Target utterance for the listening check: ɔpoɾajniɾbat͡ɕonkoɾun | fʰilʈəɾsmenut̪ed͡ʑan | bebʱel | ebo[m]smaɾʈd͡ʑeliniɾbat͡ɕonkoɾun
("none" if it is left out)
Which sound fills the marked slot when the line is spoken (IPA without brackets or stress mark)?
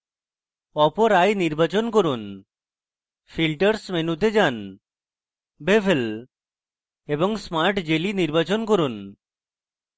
ŋ